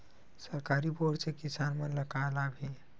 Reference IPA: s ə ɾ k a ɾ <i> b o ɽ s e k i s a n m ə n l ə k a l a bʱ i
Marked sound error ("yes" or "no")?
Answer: no